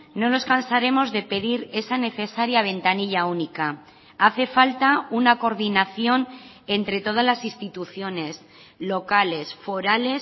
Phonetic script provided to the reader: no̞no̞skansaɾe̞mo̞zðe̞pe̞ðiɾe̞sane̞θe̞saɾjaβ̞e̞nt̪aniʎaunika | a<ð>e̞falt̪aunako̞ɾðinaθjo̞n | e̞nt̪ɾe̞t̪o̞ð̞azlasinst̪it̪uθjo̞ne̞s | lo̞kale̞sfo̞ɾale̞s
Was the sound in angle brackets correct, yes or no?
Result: no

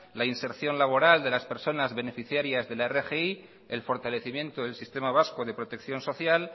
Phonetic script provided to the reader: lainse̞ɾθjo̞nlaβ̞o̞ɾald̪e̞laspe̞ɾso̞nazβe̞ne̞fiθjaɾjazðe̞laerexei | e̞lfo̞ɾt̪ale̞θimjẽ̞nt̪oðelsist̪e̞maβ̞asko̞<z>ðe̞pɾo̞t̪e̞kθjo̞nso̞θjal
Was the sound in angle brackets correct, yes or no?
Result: no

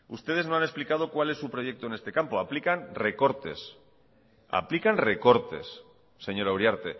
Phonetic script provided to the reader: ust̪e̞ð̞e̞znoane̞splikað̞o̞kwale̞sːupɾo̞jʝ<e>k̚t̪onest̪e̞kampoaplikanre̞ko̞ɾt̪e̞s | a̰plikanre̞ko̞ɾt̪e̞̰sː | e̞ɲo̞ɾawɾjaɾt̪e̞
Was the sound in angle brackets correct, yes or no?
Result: yes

